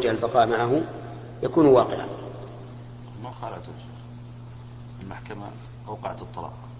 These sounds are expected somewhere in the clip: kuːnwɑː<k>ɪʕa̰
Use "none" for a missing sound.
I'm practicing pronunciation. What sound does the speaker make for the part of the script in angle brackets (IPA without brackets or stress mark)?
q